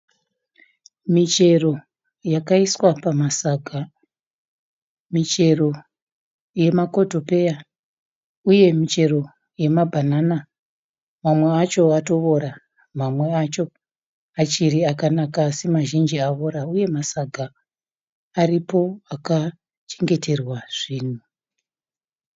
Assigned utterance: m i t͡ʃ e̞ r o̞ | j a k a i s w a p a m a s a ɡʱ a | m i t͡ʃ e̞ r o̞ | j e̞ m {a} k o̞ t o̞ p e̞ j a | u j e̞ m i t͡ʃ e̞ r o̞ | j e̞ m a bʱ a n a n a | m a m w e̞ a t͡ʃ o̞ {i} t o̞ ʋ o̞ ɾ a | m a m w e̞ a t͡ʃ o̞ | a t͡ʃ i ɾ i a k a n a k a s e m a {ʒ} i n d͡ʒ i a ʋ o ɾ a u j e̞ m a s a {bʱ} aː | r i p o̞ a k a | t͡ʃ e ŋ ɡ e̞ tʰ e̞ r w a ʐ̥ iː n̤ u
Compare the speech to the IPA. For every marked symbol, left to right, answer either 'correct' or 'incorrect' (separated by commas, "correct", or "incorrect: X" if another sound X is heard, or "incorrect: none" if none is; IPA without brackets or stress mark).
correct, incorrect: a, correct, incorrect: ɡʱ